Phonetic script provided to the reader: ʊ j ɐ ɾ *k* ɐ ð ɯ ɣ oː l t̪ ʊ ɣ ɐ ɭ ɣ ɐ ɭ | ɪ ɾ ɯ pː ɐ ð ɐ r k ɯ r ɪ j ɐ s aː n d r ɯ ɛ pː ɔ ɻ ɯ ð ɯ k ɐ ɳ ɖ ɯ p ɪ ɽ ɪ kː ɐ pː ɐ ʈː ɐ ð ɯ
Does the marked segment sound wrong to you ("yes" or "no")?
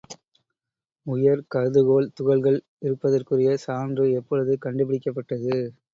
no